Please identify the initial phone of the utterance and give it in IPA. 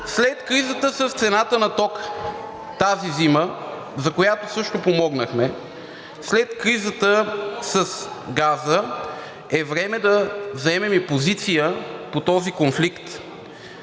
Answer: s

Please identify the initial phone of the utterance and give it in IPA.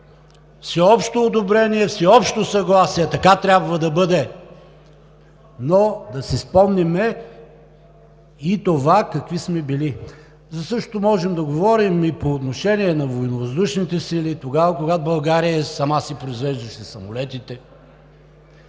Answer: f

